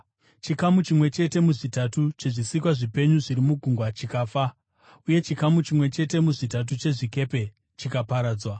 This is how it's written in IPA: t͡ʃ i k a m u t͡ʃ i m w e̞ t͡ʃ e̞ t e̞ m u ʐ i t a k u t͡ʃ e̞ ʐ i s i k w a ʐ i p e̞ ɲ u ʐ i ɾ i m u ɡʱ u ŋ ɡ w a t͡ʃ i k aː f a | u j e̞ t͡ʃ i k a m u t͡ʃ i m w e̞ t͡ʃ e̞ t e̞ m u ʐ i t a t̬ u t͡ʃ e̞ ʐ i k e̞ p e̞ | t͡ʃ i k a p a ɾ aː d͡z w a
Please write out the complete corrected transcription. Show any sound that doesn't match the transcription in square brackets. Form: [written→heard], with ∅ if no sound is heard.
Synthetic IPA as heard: t͡ʃ i k a m u t͡ʃ i m w e̞ t͡ʃ e̞ t e̞ m u ʐ i t a [k→t] u t͡ʃ e̞ ʐ i s i k w a ʐ i p e̞ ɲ u ʐ i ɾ i m u ɡʱ u ŋ ɡ w a t͡ʃ i k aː f a | u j e̞ t͡ʃ i k a m u t͡ʃ i m w e̞ t͡ʃ e̞ t e̞ m u ʐ i t a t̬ u t͡ʃ e̞ ʐ i k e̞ p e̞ | t͡ʃ i k a p a ɾ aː d͡z w a

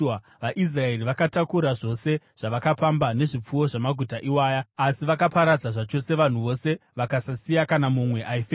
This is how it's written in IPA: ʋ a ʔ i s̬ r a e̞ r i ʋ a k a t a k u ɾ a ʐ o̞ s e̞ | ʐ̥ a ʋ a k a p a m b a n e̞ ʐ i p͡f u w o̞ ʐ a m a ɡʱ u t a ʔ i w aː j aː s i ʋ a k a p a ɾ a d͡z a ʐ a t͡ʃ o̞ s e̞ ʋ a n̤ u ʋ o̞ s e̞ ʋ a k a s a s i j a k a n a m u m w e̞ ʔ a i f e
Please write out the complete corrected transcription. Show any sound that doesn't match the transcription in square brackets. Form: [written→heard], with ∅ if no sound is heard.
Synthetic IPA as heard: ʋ a ʔ i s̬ r a e̞ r i ʋ a k a t a k u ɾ a ʐ o̞ s e̞ | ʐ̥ a ʋ a k a p a m b a n e̞ ʐ i p͡f u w o̞ ʐ a m a ɡʱ u t a ʔ i w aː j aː s i ʋ a k a p a ɾ a d͡z a ʐ a t͡ʃ o̞ s e̞ ʋ a n̤ u ʋ o̞ s e̞ ʋ a k a s a s i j a k a n a m u m w e̞ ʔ a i f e

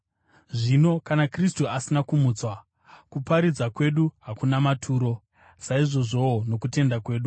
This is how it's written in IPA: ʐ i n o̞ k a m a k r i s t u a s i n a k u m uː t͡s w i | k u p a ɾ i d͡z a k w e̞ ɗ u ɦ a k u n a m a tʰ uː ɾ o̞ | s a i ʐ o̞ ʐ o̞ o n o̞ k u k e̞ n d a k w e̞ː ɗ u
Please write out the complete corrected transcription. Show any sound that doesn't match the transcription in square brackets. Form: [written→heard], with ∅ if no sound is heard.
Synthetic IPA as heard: ʐ i n o̞ k a [m→n] a k r i s t u a s i n a k u m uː t͡s w [i→a] | k u p a ɾ i d͡z a k w e̞ ɗ u ɦ a k u n a m a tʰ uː ɾ o̞ | s a i ʐ o̞ ʐ o̞ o n o̞ k u [k→t] e̞ n d a k w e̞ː ɗ u

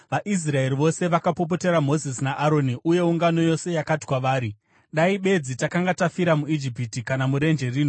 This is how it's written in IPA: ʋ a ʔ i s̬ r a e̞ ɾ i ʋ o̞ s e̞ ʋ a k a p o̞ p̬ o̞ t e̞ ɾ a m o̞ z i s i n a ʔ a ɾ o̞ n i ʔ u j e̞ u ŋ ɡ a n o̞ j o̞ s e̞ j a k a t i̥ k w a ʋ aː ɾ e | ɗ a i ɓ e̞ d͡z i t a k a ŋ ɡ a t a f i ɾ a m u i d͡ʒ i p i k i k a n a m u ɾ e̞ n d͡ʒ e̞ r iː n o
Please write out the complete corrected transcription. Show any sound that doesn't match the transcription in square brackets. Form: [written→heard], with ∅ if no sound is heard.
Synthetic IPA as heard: ʋ a ʔ i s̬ r a e̞ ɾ i ʋ o̞ s e̞ ʋ a k a p o̞ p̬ o̞ t e̞ ɾ a m o̞ z i s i n a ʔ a ɾ o̞ n i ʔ u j e̞ u ŋ ɡ a n o̞ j o̞ s e̞ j a k a t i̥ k w a ʋ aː ɾ [e→i] | ɗ a i ɓ e̞ d͡z i t a k a ŋ ɡ a t a f i ɾ a m u i d͡ʒ i p i [k→t] i k a n a m u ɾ e̞ n d͡ʒ e̞ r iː n o

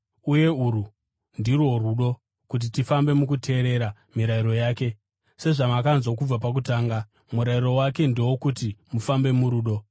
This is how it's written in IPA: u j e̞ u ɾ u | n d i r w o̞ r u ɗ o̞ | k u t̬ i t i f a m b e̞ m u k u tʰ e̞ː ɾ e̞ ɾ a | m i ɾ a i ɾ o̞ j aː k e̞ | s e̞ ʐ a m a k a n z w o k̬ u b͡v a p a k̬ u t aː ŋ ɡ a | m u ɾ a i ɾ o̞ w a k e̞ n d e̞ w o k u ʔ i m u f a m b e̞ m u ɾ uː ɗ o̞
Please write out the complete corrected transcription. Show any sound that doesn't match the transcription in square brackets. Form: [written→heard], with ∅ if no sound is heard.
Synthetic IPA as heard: u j e̞ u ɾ u | n d i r w o̞ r u ɗ o̞ | k u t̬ i t i f a m b e̞ m u k u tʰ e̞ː ɾ e̞ ɾ a | m i ɾ a i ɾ o̞ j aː k e̞ | s e̞ ʐ a m a k a n z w o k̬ u b͡v a p a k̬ u t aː ŋ ɡ a | m u ɾ a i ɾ o̞ w a k e̞ n d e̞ w o k u [ʔ→t] i m u f a m b e̞ m u ɾ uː ɗ o̞

